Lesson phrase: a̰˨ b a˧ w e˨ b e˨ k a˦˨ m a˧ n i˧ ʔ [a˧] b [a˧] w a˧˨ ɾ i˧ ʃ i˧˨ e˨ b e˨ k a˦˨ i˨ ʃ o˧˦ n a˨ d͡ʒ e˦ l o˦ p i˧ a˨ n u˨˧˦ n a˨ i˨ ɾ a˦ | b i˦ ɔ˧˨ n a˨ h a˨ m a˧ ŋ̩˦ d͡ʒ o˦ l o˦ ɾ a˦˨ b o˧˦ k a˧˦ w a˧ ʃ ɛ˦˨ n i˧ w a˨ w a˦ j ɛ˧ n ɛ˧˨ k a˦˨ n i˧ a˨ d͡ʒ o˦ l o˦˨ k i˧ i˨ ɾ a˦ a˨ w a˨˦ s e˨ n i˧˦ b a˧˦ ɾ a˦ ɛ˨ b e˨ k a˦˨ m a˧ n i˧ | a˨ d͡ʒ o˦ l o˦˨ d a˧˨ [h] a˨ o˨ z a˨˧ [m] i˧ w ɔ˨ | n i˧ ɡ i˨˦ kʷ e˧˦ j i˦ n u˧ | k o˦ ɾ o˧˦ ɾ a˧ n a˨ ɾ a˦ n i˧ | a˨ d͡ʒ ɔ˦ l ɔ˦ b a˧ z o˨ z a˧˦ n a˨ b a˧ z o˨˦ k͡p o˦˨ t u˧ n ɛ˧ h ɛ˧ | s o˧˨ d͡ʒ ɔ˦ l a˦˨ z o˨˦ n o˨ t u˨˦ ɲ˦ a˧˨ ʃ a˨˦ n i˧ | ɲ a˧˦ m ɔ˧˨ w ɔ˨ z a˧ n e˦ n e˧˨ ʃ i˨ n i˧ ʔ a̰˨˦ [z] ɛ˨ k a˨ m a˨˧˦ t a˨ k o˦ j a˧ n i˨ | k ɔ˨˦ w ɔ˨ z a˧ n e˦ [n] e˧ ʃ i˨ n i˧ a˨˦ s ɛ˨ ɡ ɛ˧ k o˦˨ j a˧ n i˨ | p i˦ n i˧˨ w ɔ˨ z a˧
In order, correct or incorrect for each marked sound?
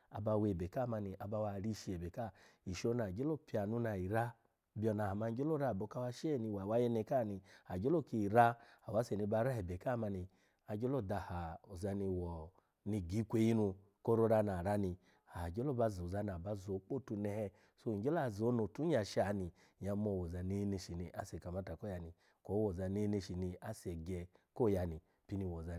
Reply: correct, correct, correct, incorrect: n, incorrect: s, correct

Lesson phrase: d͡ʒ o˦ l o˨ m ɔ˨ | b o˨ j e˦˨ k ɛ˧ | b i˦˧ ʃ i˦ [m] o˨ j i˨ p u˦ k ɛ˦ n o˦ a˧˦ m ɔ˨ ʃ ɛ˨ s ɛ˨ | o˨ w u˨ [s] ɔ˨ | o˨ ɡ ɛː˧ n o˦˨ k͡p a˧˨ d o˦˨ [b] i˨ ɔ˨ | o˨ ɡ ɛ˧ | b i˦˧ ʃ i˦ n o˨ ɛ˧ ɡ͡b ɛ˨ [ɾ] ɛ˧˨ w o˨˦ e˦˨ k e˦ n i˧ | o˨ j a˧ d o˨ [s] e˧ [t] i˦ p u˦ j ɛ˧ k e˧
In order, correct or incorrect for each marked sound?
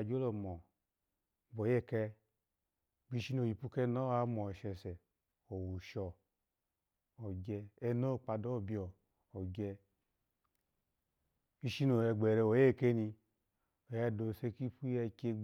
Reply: incorrect: n, incorrect: ʃ, correct, correct, correct, incorrect: k

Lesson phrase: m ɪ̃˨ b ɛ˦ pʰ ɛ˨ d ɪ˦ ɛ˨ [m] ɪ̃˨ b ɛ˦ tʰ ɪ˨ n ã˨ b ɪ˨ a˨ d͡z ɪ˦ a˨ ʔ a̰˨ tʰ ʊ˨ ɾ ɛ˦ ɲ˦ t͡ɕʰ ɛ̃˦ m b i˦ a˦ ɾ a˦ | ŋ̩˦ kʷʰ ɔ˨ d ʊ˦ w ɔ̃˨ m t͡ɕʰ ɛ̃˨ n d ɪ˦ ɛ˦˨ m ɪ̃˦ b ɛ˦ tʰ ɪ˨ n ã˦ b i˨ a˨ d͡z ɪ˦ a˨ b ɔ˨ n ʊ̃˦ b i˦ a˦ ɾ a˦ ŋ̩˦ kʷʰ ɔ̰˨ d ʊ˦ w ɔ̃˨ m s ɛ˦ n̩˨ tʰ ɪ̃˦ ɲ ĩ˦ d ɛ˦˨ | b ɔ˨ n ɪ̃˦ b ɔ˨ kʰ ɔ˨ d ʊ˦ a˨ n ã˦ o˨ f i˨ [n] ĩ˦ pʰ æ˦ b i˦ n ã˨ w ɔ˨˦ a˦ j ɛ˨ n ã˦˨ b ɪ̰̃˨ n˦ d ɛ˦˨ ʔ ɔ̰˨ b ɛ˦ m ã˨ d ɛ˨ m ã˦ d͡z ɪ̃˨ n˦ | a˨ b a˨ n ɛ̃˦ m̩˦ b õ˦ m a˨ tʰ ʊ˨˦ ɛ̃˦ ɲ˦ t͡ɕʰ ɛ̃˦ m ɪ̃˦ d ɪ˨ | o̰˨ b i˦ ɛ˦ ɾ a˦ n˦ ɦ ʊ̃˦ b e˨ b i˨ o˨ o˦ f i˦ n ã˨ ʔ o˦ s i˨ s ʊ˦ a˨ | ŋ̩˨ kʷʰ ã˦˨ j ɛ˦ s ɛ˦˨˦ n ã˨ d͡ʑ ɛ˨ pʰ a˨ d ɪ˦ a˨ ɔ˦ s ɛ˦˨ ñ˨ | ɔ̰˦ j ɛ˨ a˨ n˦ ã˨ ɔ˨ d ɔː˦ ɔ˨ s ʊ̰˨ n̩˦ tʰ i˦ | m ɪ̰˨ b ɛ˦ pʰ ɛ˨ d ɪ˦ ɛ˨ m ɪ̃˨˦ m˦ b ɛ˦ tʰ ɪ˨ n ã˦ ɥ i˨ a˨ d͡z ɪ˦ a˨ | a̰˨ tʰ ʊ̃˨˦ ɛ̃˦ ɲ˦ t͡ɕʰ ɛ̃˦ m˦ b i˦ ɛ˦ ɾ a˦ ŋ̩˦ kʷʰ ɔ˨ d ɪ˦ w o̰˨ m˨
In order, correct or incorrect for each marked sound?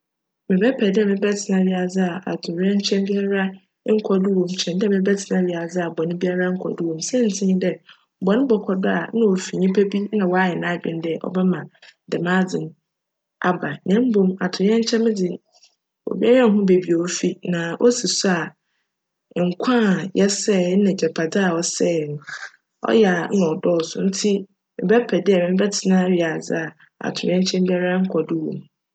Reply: correct, incorrect: ɲ

